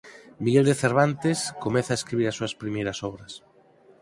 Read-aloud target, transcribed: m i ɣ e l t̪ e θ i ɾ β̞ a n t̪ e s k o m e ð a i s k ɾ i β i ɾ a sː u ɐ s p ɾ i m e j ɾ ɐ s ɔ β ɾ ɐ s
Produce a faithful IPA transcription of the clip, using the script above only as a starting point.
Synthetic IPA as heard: m i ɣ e l d̪ e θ e ɾ β̞ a n t̪ e s k o m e θ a e s k ɾ i β i ɾ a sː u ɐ s p ɾ i m e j ɾ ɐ s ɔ β ɾ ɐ s